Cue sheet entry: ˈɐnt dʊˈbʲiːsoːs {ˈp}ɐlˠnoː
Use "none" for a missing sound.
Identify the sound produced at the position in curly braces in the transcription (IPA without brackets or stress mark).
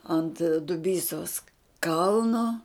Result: k